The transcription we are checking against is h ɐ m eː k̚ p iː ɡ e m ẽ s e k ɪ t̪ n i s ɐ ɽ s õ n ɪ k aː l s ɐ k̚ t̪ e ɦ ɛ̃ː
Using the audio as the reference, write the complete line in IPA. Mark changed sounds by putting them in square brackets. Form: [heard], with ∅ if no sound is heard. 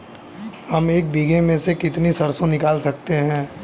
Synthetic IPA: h ɐ m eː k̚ [b] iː ɡ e m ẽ s e k ɪ t̪ n i s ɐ [ɾ] s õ n ɪ k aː l s ɐ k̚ t̪ e ɦ ɛ̃ː